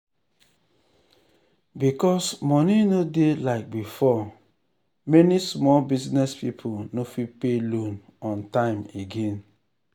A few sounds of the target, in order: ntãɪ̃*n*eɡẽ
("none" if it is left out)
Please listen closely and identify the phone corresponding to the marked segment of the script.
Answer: m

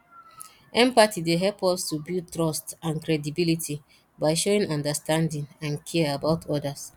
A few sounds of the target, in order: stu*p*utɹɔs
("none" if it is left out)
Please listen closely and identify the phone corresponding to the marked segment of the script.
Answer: b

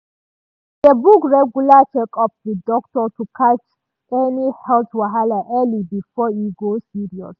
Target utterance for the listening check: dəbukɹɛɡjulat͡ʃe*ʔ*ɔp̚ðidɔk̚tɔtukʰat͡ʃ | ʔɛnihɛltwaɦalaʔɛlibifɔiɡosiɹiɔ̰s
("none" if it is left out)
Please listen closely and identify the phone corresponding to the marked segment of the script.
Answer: k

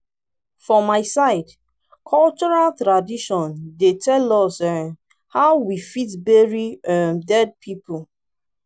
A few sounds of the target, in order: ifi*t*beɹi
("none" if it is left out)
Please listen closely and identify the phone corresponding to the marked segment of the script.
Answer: t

